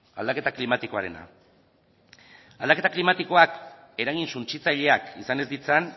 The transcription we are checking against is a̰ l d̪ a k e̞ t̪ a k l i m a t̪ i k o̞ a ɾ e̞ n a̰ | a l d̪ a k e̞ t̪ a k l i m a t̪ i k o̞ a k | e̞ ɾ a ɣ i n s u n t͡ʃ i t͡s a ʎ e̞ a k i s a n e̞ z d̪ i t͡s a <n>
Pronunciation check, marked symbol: correct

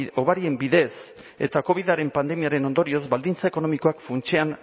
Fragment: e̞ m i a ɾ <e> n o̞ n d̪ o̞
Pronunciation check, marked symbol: correct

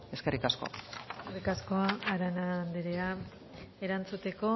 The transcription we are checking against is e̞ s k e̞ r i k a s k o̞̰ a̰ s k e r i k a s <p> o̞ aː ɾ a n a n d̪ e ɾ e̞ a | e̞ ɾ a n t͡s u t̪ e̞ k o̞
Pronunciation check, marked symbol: incorrect: k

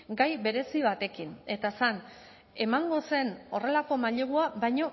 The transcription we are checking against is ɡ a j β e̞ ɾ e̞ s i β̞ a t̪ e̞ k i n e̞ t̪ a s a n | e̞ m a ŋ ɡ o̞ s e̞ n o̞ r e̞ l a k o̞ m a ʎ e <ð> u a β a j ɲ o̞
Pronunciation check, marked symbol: incorrect: ɣ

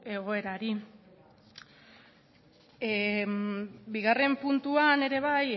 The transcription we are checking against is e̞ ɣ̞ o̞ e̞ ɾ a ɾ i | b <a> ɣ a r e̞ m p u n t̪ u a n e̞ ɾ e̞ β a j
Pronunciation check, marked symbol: incorrect: i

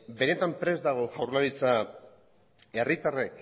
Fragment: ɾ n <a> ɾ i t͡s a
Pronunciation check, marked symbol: correct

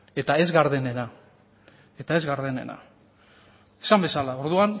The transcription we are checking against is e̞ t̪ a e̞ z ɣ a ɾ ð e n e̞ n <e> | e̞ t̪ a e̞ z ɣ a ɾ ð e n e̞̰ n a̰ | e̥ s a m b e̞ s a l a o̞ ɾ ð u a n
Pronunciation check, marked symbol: incorrect: a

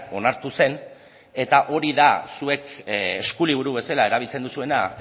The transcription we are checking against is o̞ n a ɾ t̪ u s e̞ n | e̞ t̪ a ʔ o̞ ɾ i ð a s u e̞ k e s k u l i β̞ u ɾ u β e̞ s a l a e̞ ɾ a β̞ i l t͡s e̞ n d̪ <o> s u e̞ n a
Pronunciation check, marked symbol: incorrect: u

